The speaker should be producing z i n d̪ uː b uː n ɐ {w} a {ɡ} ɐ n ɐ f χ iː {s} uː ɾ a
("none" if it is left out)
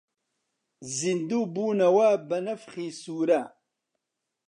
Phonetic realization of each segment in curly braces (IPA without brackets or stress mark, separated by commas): w, b, s